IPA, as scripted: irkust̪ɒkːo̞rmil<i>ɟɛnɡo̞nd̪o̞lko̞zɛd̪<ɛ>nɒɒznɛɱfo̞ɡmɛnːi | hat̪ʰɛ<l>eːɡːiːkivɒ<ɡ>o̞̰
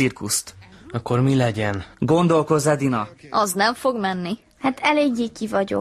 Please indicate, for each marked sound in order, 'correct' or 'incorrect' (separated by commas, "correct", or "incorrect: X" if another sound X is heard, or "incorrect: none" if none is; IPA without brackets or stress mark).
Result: incorrect: ɛ, incorrect: i, correct, incorrect: ɟ